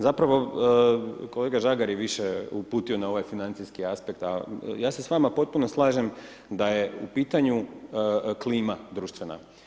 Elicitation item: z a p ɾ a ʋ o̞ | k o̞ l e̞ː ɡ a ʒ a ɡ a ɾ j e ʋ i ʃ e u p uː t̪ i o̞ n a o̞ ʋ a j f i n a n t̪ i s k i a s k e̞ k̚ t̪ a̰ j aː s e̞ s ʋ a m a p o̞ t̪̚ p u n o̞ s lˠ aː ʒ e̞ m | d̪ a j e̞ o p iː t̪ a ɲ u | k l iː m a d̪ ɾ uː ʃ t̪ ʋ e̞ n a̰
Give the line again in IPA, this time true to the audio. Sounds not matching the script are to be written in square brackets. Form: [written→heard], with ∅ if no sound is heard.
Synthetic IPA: z a p ɾ a ʋ o̞ | k o̞ l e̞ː ɡ a ʒ a ɡ a ɾ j e ʋ i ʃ e u p uː t̪ i o̞ n a o̞ ʋ a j f i n a n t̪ i s k i a s [k→p] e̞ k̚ t̪ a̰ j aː s e̞ s ʋ a m a p o̞ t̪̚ p u n o̞ s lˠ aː ʒ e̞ m | d̪ a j e̞ [o→u] p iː t̪ a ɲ u | k l iː m a d̪ ɾ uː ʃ t̪ ʋ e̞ n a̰